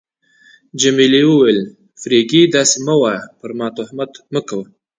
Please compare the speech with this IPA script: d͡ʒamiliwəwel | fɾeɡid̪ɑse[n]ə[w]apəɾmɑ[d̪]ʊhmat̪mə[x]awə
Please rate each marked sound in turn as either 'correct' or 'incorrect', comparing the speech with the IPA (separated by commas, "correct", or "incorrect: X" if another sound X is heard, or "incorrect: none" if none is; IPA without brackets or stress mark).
incorrect: m, correct, incorrect: t̪, incorrect: k